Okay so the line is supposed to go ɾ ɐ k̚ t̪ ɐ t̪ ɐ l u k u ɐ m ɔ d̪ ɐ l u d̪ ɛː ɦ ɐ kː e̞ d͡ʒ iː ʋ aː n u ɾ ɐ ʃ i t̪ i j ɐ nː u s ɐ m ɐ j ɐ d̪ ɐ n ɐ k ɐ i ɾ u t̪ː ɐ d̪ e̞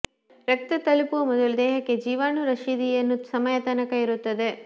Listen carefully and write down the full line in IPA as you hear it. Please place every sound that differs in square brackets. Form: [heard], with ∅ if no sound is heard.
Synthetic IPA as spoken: ɾ ɐ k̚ t̪ ɐ t̪ ɐ l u [p] u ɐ m ɔ d̪ ɐ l u d̪ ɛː ɦ ɐ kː e̞ d͡ʒ iː ʋ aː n u ɾ ɐ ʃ i [d̪] i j ɐ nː u s ɐ m ɐ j ɐ [t̪] ɐ n ɐ k ɐ i ɾ u t̪ː ɐ d̪ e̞